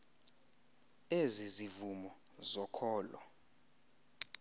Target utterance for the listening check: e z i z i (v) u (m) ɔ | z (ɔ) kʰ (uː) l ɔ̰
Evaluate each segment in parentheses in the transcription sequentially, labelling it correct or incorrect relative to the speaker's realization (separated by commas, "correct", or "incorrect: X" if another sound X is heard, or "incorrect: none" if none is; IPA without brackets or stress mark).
correct, correct, correct, incorrect: ɔː